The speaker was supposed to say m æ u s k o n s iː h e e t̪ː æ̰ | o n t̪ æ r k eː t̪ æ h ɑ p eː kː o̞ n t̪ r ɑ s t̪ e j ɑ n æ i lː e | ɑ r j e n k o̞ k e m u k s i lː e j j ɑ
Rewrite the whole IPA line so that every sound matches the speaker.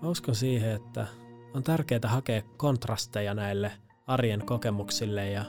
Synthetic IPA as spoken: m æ u s k o n s iː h e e t̪ː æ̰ | o n t̪ æ r k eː t̪ æ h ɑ k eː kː o̞ n t̪ r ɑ s t̪ e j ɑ n æ i lː e | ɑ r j e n k o̞ k e m u k s i lː e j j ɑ